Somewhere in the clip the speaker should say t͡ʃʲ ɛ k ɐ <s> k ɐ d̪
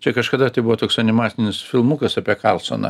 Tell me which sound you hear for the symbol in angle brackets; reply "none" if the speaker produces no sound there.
ʃ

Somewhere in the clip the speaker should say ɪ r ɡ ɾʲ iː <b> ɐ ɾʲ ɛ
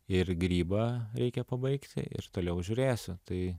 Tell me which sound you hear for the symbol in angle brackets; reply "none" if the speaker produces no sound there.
b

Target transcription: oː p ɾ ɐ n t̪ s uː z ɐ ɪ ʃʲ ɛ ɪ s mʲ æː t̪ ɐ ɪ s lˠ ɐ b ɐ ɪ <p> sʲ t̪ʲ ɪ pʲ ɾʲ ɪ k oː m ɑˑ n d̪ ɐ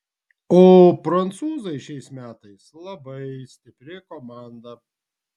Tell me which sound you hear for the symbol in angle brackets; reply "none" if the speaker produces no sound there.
none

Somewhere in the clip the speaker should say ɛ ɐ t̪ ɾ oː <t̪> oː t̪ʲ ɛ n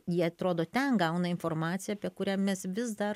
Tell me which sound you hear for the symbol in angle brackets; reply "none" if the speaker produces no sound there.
d̪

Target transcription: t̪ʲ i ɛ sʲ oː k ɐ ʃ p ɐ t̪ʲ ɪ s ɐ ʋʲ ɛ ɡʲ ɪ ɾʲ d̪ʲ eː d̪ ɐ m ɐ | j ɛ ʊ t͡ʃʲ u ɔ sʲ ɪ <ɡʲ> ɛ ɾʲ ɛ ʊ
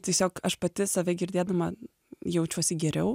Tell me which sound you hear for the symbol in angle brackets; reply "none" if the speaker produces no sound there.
ɡʲ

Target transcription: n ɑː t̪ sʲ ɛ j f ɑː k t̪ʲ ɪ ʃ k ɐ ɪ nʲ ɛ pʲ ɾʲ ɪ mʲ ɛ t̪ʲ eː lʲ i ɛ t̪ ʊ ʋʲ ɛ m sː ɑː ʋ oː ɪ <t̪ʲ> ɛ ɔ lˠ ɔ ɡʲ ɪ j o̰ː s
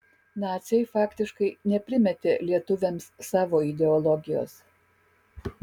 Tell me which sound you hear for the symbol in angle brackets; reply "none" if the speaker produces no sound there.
d̪ʲ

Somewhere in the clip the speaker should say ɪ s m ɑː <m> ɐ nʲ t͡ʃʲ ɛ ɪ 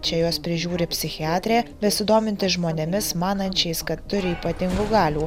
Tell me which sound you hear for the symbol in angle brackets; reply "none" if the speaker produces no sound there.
n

